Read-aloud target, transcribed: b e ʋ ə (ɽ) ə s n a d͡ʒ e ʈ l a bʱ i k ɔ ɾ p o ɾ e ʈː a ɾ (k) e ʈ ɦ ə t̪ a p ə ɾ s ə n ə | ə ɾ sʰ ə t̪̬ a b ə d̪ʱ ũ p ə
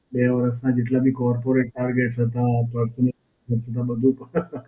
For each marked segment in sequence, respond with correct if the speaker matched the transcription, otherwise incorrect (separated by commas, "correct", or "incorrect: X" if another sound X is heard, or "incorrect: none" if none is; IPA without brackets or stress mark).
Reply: incorrect: ɾ, incorrect: ɡ